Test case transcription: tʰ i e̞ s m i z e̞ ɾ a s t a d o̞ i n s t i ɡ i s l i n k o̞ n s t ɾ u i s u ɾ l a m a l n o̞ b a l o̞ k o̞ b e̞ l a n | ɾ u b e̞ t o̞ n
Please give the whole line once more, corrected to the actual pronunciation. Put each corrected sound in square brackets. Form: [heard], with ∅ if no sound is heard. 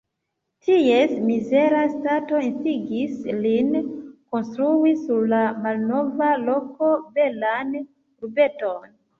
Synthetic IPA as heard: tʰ i e̞ s m i z e̞ ɾ a s t a [t] o̞ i n s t i ɡ i s l i n k o̞ n s t ɾ u i s u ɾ l a m a l n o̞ [v] a l o̞ k o̞ b e̞ l a n | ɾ u b e̞ t o̞ n